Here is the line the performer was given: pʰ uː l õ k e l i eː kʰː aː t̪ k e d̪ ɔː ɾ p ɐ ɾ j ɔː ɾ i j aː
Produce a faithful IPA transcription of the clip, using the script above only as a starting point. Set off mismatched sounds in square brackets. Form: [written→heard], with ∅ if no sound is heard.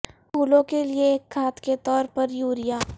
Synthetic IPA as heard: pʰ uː l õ k e l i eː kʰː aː t̪ k e [d̪→t̪] ɔː ɾ p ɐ ɾ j [ɔː→uː] ɾ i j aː